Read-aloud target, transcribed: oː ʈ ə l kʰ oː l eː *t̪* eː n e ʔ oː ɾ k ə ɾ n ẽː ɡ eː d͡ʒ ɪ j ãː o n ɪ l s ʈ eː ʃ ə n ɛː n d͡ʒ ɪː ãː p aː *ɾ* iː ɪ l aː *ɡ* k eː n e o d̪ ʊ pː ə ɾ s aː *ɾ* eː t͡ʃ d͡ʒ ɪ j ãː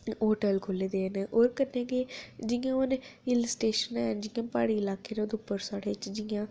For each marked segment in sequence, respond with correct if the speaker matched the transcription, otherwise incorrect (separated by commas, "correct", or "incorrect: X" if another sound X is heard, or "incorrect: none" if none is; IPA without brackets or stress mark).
incorrect: d̪, incorrect: ɽ, incorrect: none, incorrect: ɽ